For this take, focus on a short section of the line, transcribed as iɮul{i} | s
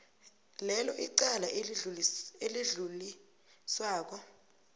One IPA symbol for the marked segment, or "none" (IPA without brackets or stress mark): i